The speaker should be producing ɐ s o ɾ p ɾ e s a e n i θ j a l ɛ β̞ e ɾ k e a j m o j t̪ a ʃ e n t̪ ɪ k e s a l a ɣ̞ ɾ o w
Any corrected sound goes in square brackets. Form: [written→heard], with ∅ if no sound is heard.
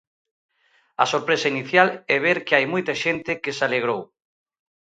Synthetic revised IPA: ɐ s o ɾ p ɾ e s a [e→i] n i θ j a l ɛ β̞ e ɾ k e a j m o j t̪ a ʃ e n t̪ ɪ k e s a l [a→e] ɣ̞ ɾ o w